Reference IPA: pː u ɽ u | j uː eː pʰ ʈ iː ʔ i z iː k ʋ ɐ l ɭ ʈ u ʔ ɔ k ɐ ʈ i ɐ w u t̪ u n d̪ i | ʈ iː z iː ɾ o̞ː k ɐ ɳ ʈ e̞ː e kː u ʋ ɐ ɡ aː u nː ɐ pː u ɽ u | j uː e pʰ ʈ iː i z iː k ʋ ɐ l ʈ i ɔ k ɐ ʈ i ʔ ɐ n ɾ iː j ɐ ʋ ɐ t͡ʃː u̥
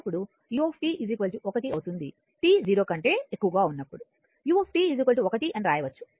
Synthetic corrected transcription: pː u ɽ u | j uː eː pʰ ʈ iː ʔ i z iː k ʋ ɐ l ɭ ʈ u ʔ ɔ k ɐ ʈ i ɐ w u t̪ u n d̪ i | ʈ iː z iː ɾ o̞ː k ɐ ɳ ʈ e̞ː e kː u ʋ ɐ ɡ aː u nː ɐ pː u ɽ u | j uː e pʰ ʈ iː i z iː k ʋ ɐ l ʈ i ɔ k ɐ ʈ i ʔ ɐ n ɾ aː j ɐ ʋ ɐ t͡ʃː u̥